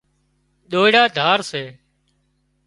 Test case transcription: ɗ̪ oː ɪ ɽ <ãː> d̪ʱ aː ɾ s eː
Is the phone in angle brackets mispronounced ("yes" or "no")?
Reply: yes